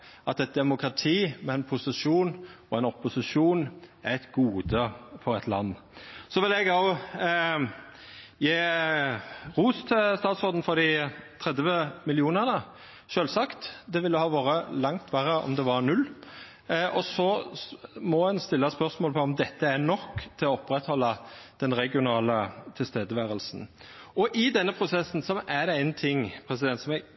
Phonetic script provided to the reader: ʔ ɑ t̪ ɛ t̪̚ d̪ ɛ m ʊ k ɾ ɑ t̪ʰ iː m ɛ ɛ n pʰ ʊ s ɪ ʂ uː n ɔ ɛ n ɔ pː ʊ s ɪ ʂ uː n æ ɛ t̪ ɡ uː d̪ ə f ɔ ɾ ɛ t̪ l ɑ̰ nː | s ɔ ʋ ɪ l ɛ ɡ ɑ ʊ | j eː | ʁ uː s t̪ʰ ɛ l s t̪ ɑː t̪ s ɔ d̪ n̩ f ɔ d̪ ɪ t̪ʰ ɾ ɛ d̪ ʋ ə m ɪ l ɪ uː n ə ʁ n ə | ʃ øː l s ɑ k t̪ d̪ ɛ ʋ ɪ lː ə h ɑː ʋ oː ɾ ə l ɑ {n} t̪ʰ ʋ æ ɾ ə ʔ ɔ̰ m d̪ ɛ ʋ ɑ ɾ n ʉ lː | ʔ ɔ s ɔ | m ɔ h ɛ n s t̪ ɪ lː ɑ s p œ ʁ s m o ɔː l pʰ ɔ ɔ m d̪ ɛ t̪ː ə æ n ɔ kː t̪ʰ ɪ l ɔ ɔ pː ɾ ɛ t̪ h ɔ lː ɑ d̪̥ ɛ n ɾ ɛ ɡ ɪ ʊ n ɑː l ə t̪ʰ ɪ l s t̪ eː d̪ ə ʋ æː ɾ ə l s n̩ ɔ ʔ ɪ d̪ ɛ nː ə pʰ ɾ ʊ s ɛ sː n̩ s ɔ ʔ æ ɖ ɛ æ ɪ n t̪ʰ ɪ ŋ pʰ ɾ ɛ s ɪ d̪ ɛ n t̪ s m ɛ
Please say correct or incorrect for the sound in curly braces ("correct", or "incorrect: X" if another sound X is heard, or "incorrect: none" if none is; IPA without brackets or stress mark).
incorrect: ŋ